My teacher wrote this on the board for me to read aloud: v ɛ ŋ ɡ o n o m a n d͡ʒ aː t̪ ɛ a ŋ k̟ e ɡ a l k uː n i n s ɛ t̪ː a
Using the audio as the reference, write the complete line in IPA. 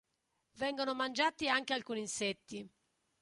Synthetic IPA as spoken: v ɛ ŋ ɡ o n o m a n d͡ʒ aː t̪ i a ŋ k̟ e a l k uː n i n s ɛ t̪ː i